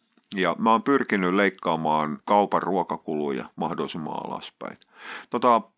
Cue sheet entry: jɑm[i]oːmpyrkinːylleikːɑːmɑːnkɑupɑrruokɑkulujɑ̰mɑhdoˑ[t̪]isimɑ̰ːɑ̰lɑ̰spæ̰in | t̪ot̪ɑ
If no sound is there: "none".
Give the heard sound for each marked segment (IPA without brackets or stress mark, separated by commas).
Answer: æ, none